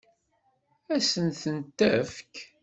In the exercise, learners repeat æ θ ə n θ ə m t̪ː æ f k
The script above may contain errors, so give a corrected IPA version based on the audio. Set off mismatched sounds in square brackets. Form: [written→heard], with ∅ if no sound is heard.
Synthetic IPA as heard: æ [θ→s] ə n θ ə [m→n] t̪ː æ f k

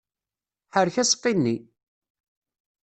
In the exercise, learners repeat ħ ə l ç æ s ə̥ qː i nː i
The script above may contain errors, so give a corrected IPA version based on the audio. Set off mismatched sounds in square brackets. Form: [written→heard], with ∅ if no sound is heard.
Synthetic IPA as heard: ħ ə [l→ɾ] ç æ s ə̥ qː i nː i

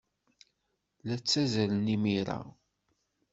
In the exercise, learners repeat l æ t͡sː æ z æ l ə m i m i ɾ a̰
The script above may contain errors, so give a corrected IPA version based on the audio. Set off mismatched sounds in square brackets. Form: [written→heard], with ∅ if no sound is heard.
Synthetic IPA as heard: l æ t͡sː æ z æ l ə [m→n] i m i ɾ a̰

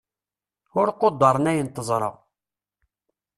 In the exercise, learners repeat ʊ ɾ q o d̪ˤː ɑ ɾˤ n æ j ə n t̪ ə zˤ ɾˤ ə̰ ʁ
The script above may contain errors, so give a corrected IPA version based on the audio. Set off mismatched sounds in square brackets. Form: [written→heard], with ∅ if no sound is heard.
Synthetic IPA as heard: ʊ ɾ q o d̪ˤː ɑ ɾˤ n æ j ə n t̪ ə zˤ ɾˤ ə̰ ʁ

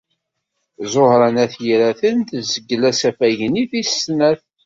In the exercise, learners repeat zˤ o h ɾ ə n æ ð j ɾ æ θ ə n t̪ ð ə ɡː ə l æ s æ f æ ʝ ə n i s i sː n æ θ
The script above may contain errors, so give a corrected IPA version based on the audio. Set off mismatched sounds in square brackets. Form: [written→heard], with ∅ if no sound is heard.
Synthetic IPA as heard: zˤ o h ɾ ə n æ [ð→θ] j ɾ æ θ ə n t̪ [ð→z] ə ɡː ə l æ s æ f æ ʝ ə n i [s→θ] i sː n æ θ

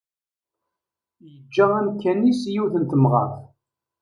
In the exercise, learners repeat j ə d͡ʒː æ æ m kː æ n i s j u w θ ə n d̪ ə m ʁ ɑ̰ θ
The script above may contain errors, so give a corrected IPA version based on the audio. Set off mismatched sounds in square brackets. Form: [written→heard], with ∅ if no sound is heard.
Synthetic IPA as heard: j ə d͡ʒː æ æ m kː æ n i s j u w θ ə n [d̪→t̪] ə m ʁ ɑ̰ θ

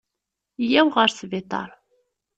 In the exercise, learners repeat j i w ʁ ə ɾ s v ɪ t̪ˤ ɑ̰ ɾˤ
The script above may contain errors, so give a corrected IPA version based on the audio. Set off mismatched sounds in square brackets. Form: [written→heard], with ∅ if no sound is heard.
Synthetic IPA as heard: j [i→æ] w ʁ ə ɾ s v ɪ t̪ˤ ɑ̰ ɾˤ

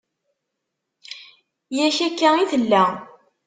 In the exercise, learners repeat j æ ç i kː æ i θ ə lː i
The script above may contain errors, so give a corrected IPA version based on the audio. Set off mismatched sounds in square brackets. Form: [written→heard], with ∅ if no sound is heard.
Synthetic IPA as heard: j æ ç [i→æ] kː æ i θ ə lː [i→æ]

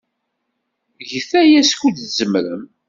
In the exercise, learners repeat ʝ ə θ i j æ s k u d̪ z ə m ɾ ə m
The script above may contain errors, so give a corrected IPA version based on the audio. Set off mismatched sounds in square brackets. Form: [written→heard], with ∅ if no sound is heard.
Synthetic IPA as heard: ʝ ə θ [i→æ] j æ s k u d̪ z ə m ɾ ə m

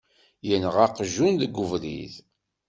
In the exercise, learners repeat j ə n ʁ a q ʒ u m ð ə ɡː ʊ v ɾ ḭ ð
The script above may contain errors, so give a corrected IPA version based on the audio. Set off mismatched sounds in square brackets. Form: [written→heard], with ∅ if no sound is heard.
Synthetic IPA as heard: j ə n ʁ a q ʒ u [m→n] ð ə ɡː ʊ v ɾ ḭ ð

